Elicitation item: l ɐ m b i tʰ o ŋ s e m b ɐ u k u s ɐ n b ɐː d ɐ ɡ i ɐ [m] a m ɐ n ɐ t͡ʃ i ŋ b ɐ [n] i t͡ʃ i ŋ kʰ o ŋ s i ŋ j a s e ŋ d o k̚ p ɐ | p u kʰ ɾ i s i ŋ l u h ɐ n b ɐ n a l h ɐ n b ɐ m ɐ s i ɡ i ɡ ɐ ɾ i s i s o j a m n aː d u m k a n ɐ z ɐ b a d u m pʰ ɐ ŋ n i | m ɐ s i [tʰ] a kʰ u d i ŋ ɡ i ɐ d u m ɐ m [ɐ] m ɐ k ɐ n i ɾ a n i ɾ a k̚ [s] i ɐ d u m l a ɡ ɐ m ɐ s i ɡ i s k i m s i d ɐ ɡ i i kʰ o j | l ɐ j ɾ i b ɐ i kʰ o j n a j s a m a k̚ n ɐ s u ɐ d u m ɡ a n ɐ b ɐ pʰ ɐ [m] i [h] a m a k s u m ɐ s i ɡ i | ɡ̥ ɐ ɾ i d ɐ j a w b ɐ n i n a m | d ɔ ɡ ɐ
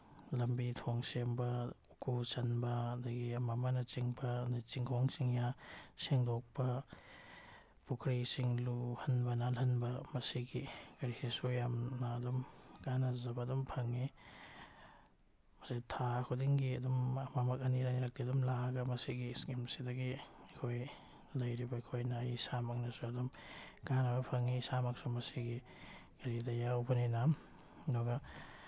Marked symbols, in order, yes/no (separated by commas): yes, yes, yes, no, no, no, no